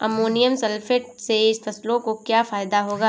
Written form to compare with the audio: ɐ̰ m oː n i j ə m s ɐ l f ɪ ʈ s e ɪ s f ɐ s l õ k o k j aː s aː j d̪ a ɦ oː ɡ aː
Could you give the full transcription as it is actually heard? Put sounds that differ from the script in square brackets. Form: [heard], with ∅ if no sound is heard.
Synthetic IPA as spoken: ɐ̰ m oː n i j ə m s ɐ l f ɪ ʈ s e ɪ s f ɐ s l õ k o k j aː [f] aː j d̪ a ɦ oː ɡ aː